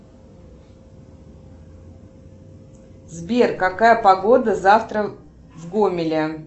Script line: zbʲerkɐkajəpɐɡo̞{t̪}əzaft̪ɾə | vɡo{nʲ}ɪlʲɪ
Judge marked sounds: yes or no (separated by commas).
no, no